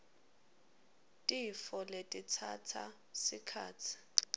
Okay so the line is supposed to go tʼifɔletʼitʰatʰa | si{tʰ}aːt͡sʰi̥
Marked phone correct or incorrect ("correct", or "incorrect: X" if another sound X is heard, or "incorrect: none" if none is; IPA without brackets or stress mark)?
incorrect: kʰ